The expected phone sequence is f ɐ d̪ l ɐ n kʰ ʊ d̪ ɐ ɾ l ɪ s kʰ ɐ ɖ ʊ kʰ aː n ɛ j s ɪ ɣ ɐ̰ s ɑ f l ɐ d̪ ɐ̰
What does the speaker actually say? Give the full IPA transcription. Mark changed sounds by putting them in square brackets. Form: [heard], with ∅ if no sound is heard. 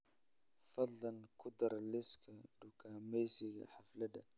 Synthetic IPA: f ɐ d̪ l ɐ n kʰ ʊ d̪ ɐ ɾ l ɪ s kʰ ɐ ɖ ʊ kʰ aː [m] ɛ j s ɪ ɣ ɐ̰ [ħ] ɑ f l ɐ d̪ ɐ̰